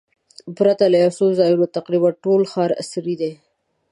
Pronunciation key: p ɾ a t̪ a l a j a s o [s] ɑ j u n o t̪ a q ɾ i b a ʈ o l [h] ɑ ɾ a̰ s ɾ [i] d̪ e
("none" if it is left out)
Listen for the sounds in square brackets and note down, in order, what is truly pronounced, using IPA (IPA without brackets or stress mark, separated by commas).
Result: z, x, i